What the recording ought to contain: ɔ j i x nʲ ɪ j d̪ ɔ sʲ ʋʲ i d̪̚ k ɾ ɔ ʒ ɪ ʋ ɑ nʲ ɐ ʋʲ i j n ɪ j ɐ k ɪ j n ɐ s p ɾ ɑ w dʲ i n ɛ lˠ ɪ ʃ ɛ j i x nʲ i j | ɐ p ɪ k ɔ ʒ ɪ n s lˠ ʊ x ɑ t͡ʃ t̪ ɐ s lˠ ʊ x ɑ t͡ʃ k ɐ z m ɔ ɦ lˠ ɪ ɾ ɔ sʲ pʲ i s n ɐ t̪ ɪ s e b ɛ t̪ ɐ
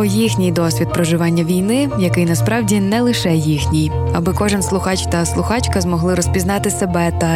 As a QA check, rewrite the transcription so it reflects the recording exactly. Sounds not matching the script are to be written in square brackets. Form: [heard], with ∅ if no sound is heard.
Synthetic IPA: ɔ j i x nʲ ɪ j d̪ ɔ sʲ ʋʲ i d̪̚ [p] ɾ ɔ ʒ ɪ ʋ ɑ [nʲː] ɐ ʋʲ i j n ɪ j ɐ k ɪ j n ɐ s p ɾ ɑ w dʲ i n ɛ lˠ ɪ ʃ ɛ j i x nʲ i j | ɐ [b] ɪ k ɔ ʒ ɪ n s lˠ ʊ x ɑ t͡ʃ t̪ ɐ s lˠ ʊ x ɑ t͡ʃ k ɐ z m ɔ ɦ lˠ ɪ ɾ ɔ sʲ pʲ i [z] n [ɑ] t̪ ɪ s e b ɛ t̪ ɐ